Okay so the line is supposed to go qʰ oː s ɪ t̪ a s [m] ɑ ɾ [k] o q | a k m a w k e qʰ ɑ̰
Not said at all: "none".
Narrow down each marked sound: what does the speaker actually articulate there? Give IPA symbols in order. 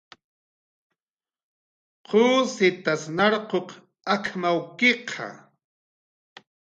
n, q

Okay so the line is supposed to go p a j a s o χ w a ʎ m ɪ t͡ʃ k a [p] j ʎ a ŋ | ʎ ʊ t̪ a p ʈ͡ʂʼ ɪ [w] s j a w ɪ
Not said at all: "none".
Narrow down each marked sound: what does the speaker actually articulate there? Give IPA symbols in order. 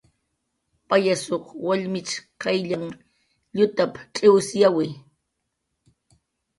none, w

